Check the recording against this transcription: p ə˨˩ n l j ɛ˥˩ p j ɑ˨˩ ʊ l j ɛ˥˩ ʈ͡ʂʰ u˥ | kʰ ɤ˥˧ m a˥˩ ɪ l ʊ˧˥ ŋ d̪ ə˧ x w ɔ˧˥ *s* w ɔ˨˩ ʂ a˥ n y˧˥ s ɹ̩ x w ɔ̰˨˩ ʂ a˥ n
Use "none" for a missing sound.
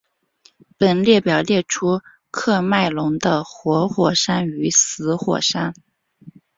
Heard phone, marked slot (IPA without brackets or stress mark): x